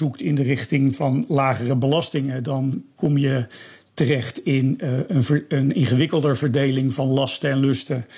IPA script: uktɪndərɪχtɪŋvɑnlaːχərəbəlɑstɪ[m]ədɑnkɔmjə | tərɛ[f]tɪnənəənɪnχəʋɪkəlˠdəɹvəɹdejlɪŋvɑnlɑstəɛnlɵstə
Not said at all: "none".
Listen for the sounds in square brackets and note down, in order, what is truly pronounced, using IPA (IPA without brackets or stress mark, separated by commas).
ŋ, χ